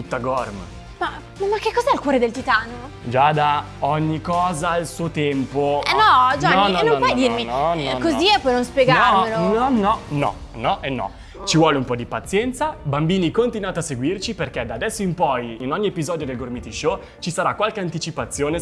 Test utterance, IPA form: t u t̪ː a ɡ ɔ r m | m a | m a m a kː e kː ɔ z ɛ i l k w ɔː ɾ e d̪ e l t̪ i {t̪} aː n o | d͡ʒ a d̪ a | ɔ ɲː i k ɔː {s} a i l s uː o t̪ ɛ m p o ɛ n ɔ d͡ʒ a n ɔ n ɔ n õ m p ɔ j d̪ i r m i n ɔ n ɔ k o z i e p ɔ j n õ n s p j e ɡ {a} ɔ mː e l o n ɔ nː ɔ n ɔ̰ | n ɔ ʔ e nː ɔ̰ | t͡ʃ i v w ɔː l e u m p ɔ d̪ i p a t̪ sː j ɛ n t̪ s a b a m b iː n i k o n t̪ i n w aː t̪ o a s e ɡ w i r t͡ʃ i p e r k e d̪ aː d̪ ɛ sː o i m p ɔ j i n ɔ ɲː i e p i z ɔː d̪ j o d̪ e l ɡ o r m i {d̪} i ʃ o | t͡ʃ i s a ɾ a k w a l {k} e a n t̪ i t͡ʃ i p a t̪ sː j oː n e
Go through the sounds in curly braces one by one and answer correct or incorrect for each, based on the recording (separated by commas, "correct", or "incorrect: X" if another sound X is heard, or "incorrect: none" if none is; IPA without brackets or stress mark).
correct, incorrect: z, correct, incorrect: t̪, correct